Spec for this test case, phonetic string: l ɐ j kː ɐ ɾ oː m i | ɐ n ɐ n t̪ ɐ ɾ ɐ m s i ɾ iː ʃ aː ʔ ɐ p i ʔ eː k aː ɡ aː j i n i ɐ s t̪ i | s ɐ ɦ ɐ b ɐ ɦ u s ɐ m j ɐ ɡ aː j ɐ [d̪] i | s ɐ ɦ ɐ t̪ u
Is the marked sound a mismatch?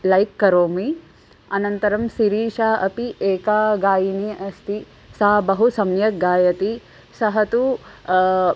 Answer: yes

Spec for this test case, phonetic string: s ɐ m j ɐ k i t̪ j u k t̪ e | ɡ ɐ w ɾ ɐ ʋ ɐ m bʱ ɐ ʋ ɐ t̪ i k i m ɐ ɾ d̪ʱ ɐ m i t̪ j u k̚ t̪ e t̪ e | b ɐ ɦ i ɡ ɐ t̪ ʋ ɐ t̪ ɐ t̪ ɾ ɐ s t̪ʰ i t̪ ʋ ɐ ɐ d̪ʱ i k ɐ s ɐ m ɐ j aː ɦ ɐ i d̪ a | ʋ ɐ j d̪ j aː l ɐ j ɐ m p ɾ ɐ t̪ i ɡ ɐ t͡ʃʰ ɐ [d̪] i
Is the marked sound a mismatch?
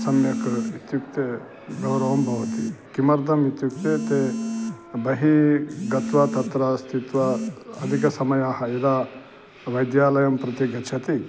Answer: yes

